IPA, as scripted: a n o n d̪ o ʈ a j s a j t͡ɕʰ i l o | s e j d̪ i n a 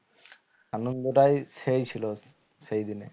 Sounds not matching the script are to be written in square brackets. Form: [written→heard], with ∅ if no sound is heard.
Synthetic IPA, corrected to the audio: a n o n d̪ o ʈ a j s [a→e] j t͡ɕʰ i l o | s e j d̪ i n [a→e]